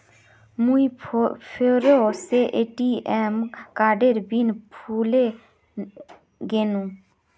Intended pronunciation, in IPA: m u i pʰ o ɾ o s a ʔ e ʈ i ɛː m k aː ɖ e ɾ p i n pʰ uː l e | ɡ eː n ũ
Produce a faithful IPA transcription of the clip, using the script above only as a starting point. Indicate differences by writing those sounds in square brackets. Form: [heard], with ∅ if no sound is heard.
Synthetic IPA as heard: m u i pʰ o ɾ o s [e] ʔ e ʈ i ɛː m k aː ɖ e ɾ [b] i n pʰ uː l e | ɡ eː n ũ